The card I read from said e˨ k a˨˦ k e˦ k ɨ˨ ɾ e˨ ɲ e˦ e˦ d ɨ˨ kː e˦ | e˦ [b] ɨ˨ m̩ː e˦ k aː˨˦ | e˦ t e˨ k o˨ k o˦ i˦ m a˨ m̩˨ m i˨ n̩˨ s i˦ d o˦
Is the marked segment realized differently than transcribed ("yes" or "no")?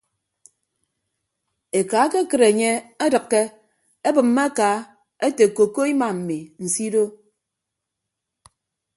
no